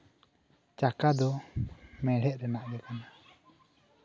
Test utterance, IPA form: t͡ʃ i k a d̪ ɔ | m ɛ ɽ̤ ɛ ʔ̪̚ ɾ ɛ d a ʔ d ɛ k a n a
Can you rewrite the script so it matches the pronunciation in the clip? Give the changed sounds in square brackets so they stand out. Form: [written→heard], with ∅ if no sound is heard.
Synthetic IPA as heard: t͡ʃ [i→a] k a d̪ ɔ | m ɛ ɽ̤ ɛ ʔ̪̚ ɾ ɛ [d→n] a ʔ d ɛ k a n a